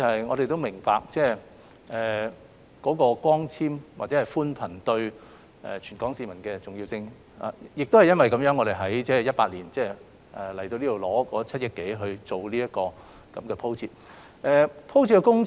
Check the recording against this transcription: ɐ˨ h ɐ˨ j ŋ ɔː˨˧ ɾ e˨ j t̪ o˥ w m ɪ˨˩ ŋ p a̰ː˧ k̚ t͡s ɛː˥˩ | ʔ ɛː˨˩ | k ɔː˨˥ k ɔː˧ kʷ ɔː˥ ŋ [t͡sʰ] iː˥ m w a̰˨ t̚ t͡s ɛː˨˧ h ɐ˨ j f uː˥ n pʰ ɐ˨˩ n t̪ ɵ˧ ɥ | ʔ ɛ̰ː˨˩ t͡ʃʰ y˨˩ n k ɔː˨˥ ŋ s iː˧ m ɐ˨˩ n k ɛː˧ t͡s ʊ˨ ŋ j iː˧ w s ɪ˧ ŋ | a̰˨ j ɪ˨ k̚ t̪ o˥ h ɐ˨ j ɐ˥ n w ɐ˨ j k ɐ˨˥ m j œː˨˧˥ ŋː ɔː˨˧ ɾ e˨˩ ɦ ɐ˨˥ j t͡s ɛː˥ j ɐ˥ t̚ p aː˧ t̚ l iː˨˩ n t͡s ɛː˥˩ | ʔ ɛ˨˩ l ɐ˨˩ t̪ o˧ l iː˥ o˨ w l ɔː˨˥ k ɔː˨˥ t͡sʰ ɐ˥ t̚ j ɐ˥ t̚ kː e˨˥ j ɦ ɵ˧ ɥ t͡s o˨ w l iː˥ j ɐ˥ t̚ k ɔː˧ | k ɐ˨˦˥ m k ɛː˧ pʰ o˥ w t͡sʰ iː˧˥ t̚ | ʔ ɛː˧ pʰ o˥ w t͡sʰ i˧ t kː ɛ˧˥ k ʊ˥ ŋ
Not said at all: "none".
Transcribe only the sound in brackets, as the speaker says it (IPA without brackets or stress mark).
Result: t͡sʰ